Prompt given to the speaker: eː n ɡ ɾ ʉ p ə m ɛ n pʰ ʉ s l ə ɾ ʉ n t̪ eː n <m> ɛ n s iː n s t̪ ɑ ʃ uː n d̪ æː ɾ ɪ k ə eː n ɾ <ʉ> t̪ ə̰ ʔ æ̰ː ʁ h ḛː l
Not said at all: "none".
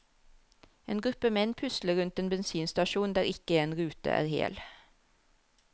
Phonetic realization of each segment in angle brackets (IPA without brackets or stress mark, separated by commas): b, ʉː